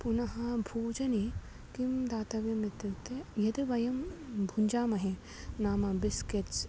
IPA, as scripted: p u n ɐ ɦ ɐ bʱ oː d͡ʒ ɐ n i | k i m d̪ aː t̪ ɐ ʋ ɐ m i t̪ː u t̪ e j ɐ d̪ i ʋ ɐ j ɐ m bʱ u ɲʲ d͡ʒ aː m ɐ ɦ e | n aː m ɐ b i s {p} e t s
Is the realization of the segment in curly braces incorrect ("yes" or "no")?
yes